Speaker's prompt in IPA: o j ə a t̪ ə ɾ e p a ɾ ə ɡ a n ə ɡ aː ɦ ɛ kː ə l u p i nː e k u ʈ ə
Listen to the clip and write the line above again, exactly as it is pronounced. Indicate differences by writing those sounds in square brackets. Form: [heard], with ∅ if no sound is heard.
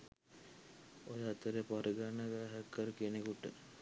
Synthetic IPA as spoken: o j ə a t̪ ə ɾ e p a ɾ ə ɡ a n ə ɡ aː ɦ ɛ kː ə [ɾ] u [k] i [n] e k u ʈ ə